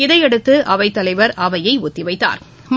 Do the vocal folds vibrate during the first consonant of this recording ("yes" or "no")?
yes